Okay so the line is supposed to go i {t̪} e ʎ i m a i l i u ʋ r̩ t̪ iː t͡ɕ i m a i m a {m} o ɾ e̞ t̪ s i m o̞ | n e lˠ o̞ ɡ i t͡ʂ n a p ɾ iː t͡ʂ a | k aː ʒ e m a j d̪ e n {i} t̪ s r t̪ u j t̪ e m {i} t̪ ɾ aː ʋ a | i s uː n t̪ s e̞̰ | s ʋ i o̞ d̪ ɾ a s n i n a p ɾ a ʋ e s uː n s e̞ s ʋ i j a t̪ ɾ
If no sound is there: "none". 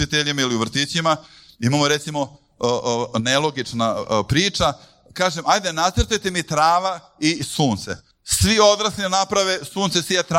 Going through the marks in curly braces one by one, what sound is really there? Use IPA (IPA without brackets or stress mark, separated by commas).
t̪, m, a, i